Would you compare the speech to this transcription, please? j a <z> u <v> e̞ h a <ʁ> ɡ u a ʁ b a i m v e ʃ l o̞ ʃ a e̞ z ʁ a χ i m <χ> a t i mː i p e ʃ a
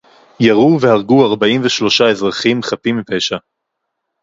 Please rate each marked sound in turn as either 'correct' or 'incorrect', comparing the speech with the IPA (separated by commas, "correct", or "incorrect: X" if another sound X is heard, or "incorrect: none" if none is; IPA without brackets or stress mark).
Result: incorrect: ʁ, correct, correct, correct